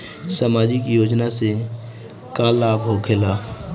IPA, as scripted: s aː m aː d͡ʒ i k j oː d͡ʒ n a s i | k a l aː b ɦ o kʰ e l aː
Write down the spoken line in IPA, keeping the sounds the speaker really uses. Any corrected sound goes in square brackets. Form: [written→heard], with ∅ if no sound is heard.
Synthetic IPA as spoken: s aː m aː d͡ʒ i k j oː d͡ʒ n a s [i→e] | k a l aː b ɦ o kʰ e l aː